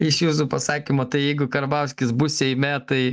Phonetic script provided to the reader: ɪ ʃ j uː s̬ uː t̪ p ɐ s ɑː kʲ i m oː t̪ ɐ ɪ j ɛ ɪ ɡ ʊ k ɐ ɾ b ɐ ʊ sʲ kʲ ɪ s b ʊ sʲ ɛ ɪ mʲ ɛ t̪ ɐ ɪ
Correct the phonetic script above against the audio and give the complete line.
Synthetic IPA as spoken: ɪ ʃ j uː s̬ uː p ɐ s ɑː kʲ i m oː t̪ ɐ ɪ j ɛ ɪ ɡ ʊ k ɐ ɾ b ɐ ʊ sʲ kʲ ɪ s b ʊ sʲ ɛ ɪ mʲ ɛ t̪ ɐ ɪ